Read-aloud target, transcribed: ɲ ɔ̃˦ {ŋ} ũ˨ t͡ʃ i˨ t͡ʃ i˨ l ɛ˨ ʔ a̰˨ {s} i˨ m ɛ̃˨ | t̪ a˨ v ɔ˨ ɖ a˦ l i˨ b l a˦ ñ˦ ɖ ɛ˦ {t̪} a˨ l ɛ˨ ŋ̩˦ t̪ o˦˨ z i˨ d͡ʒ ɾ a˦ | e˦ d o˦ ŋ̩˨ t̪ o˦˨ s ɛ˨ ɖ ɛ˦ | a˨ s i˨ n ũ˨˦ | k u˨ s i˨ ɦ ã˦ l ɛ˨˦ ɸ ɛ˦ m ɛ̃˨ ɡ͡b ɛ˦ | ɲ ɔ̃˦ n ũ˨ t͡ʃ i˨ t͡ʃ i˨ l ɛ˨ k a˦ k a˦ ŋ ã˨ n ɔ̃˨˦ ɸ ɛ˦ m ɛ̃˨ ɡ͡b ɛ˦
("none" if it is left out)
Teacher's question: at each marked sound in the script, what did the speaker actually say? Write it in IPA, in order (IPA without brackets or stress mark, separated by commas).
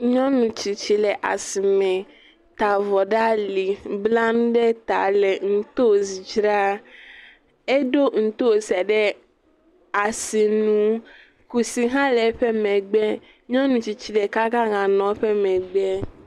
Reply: n, s, t̪